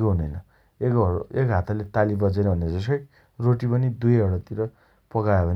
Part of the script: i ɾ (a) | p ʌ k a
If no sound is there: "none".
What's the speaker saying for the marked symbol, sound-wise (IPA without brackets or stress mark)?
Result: ʌ